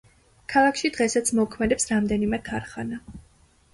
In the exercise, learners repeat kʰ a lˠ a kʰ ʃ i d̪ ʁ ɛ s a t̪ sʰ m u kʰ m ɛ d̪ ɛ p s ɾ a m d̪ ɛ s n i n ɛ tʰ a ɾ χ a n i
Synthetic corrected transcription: kʰ a lˠ a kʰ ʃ i d̪ ʁ ɛ s a t̪ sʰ m ɔ kʰ m ɛ d̪ ɛ p s ɾ a m d̪ ɛ n i m ɛ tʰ a ɾ χ a n a